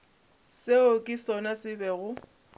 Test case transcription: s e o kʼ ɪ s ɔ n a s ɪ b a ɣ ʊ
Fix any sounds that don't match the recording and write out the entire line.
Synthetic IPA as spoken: s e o kʼ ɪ s ɔ n a s ɪ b ɛ ɣ ʊ